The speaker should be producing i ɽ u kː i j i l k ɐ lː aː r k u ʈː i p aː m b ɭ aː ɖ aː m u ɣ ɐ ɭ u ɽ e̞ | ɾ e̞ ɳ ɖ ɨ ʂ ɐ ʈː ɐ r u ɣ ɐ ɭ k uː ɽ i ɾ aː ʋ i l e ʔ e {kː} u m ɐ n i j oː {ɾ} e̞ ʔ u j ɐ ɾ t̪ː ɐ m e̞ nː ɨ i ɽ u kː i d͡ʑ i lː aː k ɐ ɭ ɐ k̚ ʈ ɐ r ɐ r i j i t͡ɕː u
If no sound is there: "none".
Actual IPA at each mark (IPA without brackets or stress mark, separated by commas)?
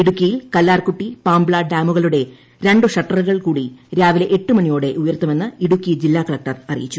ʈː, ɽ